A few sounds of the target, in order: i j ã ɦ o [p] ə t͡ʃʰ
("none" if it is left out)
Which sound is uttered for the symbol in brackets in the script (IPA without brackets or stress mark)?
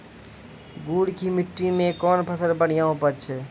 p